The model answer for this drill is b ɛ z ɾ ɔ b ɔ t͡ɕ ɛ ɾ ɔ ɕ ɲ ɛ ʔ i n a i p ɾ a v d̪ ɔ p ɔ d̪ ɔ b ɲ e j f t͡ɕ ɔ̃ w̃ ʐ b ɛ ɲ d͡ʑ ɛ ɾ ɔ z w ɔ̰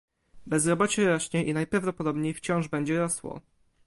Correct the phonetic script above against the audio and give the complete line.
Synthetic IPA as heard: b ɛ z ɾ ɔ b ɔ t͡ɕ ɛ ɾ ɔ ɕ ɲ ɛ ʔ i n a j p ɾ a v d̪ ɔ p ɔ d̪ ɔ b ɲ e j f t͡ɕ ɔ̃ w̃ ʐ b ɛ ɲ d͡ʑ ɛ ɾ ɔ s w ɔ̰